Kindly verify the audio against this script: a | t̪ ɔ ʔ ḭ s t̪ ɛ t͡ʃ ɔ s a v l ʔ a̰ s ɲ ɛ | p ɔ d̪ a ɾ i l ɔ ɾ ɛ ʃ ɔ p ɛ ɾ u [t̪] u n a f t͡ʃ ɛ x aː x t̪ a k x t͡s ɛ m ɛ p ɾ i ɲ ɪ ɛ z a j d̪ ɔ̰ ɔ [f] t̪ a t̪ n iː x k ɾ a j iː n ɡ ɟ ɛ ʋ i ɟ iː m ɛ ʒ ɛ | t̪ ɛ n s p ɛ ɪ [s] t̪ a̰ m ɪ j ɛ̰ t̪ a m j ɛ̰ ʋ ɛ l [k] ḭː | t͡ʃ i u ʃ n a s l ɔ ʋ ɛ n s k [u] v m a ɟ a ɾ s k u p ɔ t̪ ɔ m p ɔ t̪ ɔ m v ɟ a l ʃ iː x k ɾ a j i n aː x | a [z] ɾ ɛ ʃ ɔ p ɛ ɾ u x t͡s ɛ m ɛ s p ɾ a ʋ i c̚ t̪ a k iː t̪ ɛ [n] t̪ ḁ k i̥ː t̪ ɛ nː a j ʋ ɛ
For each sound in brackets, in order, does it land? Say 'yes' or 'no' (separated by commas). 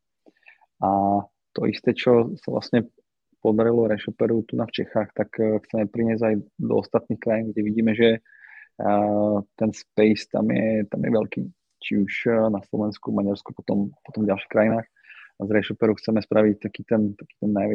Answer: yes, no, yes, yes, yes, yes, yes